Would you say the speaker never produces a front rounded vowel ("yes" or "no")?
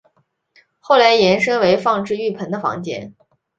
no